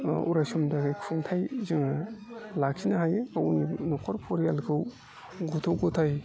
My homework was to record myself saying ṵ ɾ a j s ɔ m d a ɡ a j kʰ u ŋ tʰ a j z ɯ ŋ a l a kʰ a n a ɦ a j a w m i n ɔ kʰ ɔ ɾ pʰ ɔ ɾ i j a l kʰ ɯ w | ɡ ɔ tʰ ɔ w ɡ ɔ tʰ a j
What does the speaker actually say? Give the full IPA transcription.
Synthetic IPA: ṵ ɾ a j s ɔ m d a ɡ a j kʰ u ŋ tʰ a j z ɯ ŋ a l a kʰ i n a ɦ a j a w n i n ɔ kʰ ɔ ɾ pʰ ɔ ɾ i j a l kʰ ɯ w | ɡ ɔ tʰ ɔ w ɡ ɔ tʰ a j

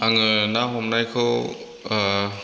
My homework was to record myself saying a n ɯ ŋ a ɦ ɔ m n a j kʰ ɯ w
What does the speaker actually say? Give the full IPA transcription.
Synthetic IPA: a ŋ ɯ n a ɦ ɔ m n a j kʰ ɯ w

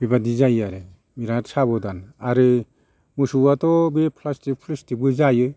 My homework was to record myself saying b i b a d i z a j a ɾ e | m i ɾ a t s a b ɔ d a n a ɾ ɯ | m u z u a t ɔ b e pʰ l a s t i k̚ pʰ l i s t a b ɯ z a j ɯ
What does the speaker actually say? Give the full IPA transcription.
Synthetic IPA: b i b a d i z a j a ɾ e | m i ɾ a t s a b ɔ d a n a ɾ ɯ | m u s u a t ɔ b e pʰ l a s t i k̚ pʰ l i s t i b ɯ z a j ɯ

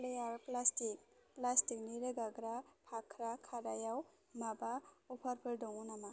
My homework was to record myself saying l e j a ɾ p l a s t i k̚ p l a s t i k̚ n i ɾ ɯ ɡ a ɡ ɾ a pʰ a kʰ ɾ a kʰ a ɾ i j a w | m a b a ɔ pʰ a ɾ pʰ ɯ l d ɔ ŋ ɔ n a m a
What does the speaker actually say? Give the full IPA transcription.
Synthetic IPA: l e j a ɾ p l a s t i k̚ p l a s t i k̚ n i ɾ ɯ ɡ a ɡ ɾ a pʰ a kʰ ɾ a kʰ a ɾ a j a w | m a b a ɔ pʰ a ɾ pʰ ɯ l d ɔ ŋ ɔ n a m a

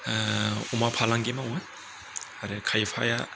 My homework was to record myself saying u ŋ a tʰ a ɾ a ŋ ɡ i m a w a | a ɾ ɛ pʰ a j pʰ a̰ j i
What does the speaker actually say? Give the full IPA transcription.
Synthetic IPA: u m a pʰ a l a ŋ ɡ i m a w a | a ɾ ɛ kʰ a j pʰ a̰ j a

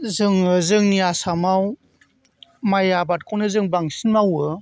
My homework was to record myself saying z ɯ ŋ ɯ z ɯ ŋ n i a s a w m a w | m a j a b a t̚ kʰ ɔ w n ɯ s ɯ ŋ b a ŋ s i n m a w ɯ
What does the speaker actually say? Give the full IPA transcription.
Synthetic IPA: z ɯ ŋ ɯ z ɯ ŋ n i a s a m a w | m a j a b a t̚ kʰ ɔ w n ɯ z ɯ ŋ b a ŋ s i n m a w ɯ

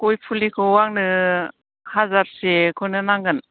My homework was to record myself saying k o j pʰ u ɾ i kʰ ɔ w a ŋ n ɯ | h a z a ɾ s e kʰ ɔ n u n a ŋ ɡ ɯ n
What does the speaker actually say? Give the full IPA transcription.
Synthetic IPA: k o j pʰ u l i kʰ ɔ w a ŋ n ɯ | h a z a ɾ s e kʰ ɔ n ɯ n a ŋ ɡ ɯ n

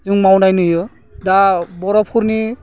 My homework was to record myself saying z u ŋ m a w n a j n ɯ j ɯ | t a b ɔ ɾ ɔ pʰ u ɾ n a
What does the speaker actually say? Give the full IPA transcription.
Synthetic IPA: z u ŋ m a w n a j n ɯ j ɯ | d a b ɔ ɾ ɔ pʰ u ɾ n i

